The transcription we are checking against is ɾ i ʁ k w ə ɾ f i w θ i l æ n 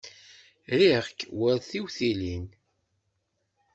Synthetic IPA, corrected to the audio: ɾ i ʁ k w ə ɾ θ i w θ i l i n